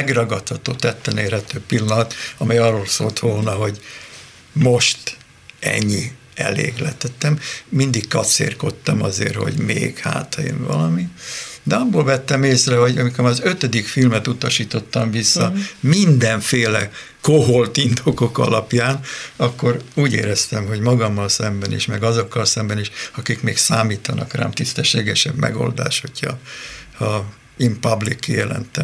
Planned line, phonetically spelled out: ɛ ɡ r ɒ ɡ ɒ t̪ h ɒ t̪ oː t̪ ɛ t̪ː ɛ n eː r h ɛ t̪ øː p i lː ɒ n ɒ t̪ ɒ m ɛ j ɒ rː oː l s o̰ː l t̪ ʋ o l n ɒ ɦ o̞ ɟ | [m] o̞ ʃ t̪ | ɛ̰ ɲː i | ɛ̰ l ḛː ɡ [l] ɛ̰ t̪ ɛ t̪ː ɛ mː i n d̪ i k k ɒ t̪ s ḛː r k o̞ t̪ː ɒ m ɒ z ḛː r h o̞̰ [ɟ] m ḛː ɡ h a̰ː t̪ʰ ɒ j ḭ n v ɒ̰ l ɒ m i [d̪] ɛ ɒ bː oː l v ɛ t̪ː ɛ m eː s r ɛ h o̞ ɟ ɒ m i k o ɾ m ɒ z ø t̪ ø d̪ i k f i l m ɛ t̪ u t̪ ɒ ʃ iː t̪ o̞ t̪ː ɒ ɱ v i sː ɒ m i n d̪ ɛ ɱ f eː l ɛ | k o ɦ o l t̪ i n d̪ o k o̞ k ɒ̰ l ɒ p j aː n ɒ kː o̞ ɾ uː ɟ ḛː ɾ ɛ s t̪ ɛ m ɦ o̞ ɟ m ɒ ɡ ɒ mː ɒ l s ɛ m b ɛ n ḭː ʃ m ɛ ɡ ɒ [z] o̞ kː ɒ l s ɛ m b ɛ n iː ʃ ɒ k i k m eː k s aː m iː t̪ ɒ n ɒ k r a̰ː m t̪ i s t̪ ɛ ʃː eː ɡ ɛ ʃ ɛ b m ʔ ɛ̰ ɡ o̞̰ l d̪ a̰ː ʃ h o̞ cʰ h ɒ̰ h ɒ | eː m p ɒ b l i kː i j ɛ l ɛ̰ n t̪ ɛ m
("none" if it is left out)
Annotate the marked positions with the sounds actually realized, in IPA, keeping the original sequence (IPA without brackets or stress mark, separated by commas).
m, l, ɟ, d̪, z